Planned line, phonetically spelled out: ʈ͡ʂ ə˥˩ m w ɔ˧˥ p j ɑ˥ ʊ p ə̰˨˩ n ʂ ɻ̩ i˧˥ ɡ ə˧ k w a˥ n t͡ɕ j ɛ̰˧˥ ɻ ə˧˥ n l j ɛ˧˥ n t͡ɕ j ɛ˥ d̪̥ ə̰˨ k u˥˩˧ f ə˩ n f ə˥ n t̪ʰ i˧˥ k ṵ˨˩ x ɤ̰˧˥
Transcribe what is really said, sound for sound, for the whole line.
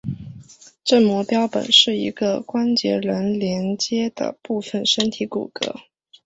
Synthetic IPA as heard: ʈ͡ʂ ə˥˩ m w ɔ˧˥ p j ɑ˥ ʊ p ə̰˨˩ n ʂ ɻ̩ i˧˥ ɡ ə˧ k w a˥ n t͡ɕ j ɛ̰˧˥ ɻ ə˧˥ n l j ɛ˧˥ n t͡ɕ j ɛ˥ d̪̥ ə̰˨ p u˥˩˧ f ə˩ n ʂ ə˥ n t̪ʰ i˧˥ k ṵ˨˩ k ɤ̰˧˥